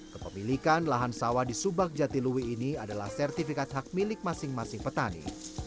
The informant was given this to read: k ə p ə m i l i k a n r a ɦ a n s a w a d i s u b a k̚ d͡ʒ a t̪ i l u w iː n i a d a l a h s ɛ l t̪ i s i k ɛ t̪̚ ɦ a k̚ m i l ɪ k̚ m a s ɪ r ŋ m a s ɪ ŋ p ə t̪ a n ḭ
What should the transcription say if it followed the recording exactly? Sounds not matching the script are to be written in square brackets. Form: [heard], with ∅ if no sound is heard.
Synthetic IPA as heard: k ə p ə m i l i k a n [l] a ɦ a n s a w a d i s u b a k̚ d͡ʒ a t̪ i l u w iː n i a d a l a h s ɛ [r] t̪ i [f] i k [a] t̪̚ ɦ a k̚ m i l ɪ k̚ m a s ɪ [∅] ŋ m a s ɪ ŋ p ə t̪ a n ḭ